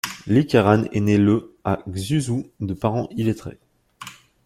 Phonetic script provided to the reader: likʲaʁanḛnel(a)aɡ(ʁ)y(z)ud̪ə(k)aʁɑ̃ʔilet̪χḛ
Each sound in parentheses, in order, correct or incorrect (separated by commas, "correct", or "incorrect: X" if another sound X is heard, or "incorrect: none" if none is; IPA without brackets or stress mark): incorrect: ə, incorrect: z, correct, incorrect: p